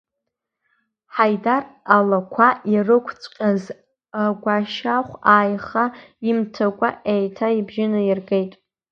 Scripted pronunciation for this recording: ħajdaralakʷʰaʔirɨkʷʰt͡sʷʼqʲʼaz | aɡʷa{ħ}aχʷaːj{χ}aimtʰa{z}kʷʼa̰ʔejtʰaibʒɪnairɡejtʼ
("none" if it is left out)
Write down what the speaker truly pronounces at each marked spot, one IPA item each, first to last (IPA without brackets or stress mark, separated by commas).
ʃ, χ, none